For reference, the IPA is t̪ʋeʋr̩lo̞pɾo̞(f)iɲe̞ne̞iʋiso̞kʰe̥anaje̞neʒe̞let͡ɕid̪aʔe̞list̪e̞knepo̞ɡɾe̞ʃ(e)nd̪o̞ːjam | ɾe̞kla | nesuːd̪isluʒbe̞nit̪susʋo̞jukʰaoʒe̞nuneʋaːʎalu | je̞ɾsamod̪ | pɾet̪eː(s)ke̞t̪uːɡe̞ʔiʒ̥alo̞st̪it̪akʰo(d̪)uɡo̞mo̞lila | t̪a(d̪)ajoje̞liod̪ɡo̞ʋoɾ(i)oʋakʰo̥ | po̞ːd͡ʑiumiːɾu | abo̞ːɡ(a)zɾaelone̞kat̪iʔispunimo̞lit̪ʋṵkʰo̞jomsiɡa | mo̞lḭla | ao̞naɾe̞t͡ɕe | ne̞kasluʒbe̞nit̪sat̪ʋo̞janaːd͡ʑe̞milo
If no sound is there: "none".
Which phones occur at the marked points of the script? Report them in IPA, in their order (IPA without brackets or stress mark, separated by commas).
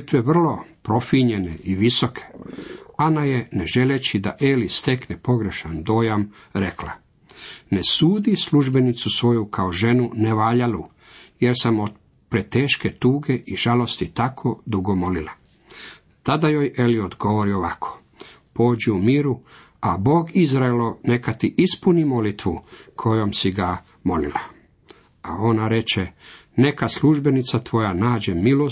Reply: f, a, ʃ, d̪, d̪, i, i